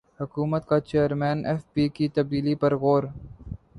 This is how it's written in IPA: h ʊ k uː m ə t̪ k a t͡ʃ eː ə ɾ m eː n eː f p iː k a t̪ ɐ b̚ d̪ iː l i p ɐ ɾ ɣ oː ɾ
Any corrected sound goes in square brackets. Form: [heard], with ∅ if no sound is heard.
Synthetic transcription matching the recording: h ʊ k uː m ə t̪ k a t͡ʃ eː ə ɾ m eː n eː f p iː k [i] t̪ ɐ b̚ d̪ iː l i p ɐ ɾ ɣ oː ɾ